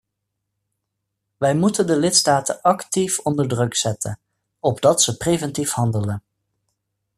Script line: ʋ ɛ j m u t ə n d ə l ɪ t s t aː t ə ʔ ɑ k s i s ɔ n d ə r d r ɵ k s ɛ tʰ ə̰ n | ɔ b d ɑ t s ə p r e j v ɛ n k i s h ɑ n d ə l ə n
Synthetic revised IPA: ʋ ɛ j m u t ə n d ə l ɪ t s t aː t ə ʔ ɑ k t i f ɔ n d ə ɹ d r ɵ k s ɛ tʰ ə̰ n | ɔ b d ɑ t s ə p r e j v ɛ n t i f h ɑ n d ə l ə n